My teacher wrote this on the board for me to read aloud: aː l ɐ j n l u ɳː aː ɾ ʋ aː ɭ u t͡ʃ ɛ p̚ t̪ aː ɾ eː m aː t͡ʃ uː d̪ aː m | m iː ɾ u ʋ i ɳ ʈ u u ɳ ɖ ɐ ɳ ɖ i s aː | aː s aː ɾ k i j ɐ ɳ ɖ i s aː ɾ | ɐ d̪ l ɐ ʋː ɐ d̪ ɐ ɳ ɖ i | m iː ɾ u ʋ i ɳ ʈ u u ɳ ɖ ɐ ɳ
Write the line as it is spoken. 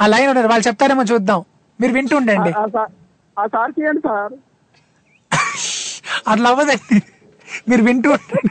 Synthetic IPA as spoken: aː l ɐ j n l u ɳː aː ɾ ʋ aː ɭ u t͡ʃ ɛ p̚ t̪ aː ɾ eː m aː t͡ʃ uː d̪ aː m | m iː ɾ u ʋ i ɳ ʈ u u ɳ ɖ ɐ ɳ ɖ i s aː | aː s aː ɾ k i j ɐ ɳ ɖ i s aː ɾ | ɐ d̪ l ɐ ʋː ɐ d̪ ɐ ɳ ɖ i | m iː ɾ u ʋ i ɳ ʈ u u ɳ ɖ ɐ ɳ